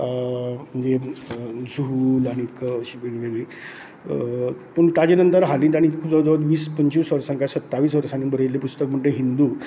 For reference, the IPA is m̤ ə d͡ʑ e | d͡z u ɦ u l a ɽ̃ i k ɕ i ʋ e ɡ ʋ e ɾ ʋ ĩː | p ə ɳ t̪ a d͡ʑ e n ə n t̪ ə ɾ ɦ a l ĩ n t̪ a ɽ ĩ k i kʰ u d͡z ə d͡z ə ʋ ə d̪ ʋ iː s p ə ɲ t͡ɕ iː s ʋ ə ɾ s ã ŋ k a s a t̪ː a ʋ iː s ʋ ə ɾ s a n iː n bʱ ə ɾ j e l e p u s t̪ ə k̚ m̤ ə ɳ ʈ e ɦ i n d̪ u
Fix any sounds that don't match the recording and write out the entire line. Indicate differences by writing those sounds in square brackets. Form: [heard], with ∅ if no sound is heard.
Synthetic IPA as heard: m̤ ə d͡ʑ e | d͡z u ɦ u l a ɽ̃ i k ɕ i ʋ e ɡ ʋ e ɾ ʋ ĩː | p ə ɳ t̪ a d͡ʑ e n ə n t̪ ə ɾ ɦ a l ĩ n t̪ a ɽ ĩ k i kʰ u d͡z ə d͡z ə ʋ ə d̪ ʋ iː s p ə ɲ t͡ɕ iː s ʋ ə ɾ s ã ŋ k a s [ə] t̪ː a ʋ iː s ʋ ə ɾ s a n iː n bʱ ə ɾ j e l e p u s t̪ ə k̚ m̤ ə ɳ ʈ e ɦ i n d̪ u